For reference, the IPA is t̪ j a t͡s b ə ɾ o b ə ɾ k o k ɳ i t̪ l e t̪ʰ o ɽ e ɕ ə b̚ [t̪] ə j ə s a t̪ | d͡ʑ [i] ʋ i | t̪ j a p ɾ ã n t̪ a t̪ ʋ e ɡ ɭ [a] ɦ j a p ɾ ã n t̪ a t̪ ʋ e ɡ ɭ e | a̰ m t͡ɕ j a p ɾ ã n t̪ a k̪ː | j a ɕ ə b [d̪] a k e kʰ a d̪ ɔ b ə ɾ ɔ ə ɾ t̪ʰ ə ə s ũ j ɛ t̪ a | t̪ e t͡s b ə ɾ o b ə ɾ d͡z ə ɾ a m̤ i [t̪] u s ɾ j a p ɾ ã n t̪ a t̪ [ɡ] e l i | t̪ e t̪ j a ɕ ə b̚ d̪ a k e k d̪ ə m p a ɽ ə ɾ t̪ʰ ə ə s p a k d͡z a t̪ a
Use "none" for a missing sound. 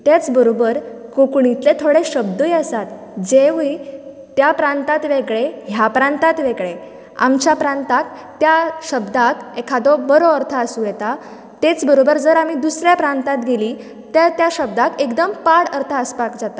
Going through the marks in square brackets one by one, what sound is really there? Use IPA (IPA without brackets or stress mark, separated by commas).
d̪, e, e, d̪, d̪, ɡ